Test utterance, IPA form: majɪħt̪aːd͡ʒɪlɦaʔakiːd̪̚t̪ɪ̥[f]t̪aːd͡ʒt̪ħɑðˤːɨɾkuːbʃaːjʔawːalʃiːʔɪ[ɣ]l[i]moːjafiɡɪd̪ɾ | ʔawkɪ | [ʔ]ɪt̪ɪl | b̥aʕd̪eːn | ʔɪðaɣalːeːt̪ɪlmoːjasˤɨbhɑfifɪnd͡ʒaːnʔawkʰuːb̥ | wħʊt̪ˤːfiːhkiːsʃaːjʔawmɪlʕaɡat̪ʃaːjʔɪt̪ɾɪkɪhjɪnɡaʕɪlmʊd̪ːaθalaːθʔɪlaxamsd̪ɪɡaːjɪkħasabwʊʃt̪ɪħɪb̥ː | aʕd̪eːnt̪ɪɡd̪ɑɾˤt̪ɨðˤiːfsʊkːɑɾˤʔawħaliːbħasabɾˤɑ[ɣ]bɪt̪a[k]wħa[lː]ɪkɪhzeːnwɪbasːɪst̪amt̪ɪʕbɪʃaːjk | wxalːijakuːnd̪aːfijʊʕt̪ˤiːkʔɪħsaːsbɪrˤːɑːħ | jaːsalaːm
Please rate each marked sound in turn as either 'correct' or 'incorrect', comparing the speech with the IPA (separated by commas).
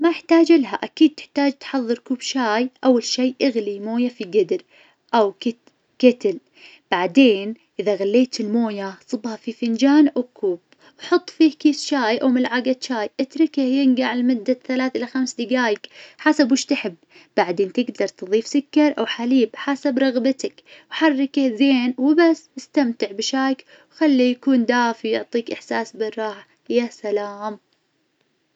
incorrect, correct, correct, incorrect, correct, correct, incorrect